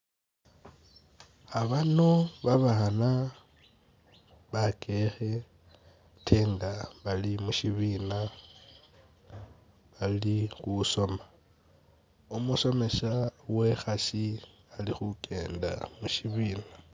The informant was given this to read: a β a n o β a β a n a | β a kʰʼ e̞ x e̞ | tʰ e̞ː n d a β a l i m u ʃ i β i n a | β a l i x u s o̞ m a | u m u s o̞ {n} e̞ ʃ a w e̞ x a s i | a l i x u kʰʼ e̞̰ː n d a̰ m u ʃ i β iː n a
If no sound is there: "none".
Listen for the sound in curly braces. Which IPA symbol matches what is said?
m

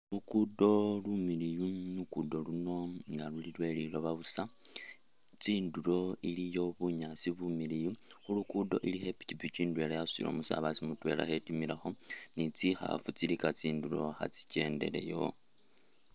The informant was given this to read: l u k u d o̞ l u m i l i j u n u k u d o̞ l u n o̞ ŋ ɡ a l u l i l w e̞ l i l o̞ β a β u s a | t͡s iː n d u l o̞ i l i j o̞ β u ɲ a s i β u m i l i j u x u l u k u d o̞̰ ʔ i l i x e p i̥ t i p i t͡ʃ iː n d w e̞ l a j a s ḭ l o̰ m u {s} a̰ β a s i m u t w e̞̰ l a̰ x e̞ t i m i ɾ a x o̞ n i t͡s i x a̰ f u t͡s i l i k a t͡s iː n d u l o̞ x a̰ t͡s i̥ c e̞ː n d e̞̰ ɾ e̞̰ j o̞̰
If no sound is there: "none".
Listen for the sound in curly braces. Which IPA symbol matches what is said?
s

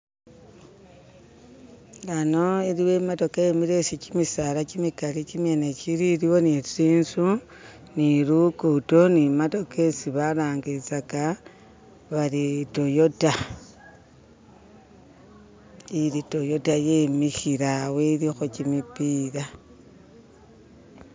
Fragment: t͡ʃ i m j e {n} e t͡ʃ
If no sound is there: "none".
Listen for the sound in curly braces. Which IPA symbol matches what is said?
n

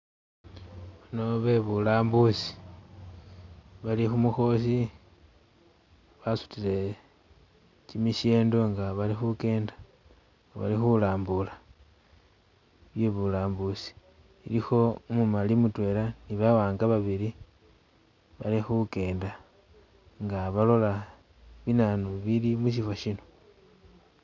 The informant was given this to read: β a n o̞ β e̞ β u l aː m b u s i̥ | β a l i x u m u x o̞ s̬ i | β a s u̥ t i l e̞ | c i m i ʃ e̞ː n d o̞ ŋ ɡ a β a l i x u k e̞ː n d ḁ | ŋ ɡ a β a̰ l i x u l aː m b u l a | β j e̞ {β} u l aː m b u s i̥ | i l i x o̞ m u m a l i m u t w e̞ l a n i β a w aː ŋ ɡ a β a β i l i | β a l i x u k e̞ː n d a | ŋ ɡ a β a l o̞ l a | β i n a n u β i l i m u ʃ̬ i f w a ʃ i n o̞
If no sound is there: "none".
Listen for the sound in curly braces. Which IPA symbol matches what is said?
β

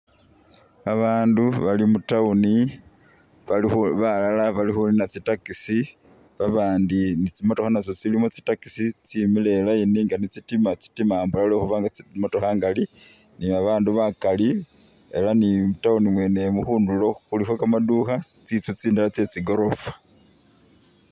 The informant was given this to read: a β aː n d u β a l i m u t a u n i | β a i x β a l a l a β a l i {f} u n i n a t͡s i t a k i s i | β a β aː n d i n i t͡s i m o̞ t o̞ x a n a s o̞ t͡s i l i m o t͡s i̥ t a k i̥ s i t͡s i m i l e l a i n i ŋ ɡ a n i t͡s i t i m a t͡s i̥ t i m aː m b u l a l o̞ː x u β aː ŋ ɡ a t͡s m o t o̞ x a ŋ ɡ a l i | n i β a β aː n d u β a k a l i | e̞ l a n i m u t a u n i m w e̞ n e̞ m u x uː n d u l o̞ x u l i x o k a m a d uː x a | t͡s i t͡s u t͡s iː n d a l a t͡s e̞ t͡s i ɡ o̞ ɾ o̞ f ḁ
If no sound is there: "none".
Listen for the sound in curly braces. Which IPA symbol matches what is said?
x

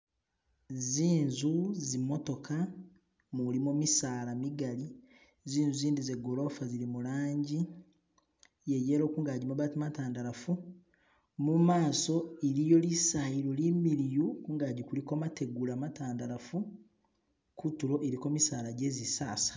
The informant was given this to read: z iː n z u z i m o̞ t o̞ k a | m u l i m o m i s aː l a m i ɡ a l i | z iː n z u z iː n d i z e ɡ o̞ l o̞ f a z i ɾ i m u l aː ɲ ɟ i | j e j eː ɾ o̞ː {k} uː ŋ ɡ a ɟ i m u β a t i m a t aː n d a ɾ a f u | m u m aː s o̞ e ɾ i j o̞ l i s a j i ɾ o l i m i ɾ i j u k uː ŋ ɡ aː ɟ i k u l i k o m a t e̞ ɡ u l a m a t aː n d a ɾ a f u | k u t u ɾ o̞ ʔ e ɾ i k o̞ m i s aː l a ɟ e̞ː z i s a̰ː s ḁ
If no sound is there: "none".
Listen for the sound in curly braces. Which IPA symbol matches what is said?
k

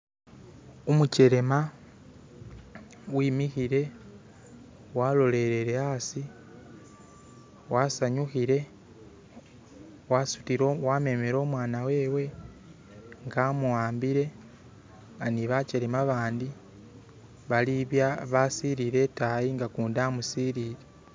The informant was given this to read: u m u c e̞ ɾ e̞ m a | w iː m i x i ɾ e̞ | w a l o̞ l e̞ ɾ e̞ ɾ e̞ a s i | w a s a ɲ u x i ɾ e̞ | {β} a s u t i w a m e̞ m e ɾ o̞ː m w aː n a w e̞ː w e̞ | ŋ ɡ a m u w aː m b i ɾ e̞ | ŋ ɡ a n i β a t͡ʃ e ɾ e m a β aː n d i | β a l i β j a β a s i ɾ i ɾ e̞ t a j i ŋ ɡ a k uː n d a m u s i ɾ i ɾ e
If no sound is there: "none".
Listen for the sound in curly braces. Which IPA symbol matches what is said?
w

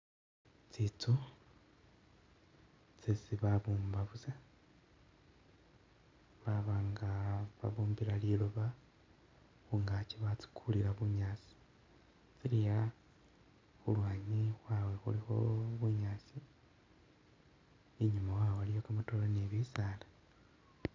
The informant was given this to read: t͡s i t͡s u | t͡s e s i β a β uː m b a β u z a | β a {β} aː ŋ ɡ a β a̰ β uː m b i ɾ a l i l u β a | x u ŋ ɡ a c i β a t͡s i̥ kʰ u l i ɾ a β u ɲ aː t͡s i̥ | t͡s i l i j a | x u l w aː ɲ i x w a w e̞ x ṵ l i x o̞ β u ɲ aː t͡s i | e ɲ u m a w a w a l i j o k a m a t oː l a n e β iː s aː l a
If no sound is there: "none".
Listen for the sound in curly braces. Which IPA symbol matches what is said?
β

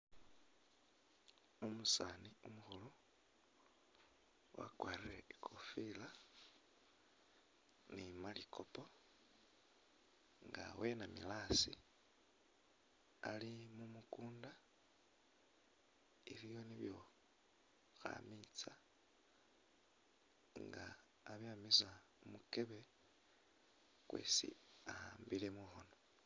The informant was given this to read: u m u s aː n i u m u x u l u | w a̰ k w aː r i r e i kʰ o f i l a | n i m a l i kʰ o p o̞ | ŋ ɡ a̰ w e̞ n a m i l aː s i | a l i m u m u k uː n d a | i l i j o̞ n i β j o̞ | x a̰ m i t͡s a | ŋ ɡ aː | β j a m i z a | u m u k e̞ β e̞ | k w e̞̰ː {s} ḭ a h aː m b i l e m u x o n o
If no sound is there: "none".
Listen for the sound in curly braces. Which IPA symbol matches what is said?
s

